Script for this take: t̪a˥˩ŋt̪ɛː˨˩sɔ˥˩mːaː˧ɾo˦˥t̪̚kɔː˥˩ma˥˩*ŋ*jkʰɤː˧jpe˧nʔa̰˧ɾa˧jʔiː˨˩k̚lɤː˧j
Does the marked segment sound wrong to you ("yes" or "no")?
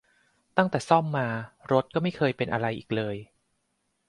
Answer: yes